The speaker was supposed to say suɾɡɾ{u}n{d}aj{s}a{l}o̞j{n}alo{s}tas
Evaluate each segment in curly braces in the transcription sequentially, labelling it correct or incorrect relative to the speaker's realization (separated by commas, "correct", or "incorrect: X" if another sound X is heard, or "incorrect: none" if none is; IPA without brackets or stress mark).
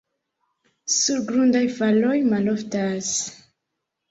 correct, correct, incorrect: f, correct, incorrect: m, incorrect: f